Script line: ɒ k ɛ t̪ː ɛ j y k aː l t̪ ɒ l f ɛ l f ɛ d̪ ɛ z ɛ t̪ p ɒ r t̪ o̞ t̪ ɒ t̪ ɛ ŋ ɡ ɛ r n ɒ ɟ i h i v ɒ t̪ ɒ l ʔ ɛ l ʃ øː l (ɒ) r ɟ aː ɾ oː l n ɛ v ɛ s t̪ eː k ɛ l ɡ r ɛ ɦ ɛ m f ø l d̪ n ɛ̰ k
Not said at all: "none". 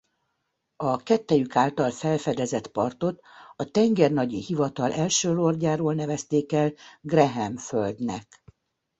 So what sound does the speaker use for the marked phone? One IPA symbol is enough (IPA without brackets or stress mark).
o